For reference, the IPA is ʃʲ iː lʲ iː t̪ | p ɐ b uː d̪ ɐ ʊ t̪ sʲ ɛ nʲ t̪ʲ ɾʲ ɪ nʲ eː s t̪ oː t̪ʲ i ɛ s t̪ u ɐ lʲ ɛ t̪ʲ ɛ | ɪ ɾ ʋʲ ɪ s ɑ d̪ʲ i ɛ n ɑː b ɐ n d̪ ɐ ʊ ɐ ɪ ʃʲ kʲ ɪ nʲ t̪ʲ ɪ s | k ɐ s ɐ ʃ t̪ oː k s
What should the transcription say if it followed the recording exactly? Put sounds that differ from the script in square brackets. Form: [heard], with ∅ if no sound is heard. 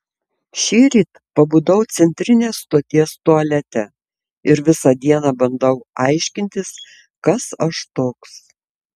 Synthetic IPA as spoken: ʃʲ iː [ɾʲ] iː t̪ | p ɐ b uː d̪ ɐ ʊ t̪ sʲ ɛ nʲ t̪ʲ ɾʲ ɪ nʲ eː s t̪ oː t̪ʲ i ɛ s t̪ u ɐ lʲ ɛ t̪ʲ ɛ | ɪ ɾ ʋʲ ɪ s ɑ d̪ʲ i ɛ n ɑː b ɐ n d̪ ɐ ʊ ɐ ɪ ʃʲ kʲ ɪ nʲ t̪ʲ ɪ s | k ɐ s ɐ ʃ t̪ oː k s